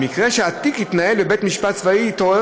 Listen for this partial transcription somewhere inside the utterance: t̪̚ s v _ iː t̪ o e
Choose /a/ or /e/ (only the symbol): a